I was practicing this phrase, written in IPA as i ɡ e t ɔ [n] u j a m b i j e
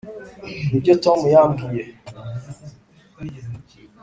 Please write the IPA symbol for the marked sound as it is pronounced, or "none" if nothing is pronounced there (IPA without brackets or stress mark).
m